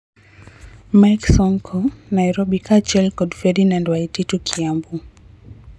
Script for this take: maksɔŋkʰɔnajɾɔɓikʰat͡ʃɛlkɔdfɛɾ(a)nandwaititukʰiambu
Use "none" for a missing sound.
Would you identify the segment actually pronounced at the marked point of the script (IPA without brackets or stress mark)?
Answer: i